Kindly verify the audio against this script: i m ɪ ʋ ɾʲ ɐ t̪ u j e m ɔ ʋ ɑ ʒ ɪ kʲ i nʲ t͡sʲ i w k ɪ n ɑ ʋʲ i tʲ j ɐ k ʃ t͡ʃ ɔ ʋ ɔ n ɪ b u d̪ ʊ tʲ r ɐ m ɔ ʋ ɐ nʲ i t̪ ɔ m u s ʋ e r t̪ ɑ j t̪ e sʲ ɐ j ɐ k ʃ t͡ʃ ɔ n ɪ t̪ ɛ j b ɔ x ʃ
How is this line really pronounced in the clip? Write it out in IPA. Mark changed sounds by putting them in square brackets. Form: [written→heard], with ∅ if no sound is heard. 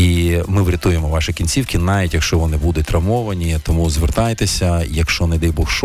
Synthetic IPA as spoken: i m ɪ ʋ ɾʲ ɐ t̪ u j e m ɔ ʋ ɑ [ʒ→ʃ] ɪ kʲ i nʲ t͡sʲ i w k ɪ n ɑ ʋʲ i tʲ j ɐ k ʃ t͡ʃ ɔ ʋ ɔ n ɪ b u d̪ ʊ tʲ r ɐ m ɔ ʋ ɐ nʲ i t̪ ɔ m u [s→z] ʋ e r t̪ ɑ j t̪ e sʲ ɐ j ɐ k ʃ t͡ʃ ɔ n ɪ [t̪→d̪] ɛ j b ɔ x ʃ